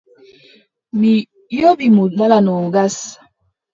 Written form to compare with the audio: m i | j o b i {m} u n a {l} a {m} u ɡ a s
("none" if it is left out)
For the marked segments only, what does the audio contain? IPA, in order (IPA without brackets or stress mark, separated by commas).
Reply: m, l, n